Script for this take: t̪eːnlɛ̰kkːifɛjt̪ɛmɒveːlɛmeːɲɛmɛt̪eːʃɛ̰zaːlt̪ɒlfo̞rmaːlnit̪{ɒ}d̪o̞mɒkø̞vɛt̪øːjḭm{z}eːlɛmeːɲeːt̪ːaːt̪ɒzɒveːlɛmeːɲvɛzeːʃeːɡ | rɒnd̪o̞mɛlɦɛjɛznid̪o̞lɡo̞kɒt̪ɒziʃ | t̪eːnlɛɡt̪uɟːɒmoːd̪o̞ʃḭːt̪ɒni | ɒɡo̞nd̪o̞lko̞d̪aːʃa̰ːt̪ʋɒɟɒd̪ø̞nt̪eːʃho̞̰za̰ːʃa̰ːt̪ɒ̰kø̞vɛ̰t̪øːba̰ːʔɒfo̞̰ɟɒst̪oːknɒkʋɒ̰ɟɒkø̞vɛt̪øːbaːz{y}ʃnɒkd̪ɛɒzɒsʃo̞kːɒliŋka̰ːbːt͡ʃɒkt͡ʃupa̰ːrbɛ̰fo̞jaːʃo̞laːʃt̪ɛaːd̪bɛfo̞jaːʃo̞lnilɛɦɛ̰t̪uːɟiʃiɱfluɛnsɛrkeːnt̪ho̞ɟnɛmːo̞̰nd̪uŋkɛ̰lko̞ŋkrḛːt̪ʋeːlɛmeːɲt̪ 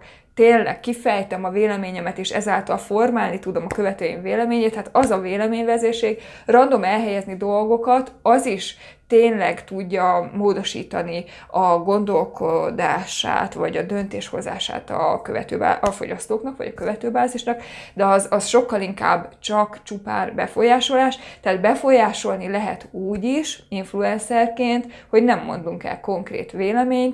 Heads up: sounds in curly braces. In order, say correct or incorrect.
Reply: incorrect: u, incorrect: v, incorrect: i

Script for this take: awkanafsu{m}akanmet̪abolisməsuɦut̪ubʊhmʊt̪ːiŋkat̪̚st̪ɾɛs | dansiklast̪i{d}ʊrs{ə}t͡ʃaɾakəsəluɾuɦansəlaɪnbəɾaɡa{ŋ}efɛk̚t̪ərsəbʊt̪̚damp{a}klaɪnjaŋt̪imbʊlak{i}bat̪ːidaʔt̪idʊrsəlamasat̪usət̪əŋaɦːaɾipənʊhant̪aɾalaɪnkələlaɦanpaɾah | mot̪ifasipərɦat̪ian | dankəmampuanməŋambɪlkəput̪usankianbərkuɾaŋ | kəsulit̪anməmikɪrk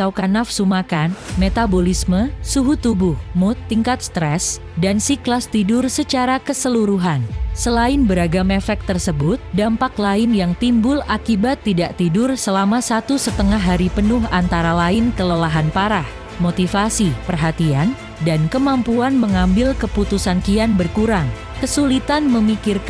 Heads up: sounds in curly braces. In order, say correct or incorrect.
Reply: correct, correct, correct, incorrect: m, correct, correct

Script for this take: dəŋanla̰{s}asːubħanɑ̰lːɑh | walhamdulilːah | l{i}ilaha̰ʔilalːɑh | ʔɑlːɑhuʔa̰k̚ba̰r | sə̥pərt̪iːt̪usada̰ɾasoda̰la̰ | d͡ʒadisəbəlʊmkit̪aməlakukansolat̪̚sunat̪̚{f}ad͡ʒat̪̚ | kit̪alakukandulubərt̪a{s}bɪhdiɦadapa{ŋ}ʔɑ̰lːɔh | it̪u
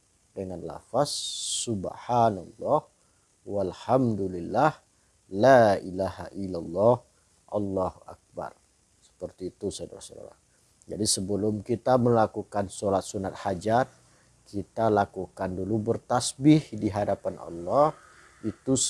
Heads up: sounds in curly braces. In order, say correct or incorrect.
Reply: incorrect: f, incorrect: a, incorrect: h, correct, incorrect: n

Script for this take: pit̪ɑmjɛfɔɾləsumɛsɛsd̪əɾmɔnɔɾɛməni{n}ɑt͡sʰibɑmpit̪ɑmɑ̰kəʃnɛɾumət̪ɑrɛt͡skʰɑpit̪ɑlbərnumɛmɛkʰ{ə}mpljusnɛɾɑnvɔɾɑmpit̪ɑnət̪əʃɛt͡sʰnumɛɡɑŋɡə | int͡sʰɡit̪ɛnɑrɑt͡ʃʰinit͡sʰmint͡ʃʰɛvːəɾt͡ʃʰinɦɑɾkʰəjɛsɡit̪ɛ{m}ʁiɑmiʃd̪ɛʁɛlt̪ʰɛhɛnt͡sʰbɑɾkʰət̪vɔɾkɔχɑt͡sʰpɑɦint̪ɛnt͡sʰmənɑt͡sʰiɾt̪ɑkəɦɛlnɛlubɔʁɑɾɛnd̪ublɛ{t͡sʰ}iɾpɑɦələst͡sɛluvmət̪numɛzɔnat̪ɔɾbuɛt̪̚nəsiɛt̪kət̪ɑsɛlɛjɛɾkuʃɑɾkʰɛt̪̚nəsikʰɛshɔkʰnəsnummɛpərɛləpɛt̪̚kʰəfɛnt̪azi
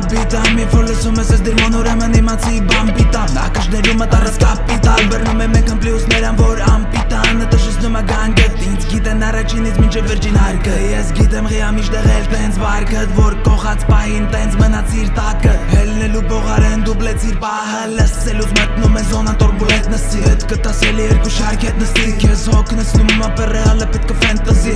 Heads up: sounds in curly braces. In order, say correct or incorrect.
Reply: incorrect: m, correct, correct, correct

